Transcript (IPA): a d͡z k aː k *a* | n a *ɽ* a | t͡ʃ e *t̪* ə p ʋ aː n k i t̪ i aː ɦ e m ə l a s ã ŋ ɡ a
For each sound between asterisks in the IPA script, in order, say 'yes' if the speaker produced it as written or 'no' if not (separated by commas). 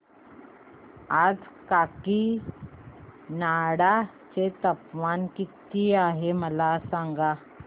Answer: no, yes, yes